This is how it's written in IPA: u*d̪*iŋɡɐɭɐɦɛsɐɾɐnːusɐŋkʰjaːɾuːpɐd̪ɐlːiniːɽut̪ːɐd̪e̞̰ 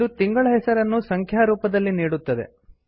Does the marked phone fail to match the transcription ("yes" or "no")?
yes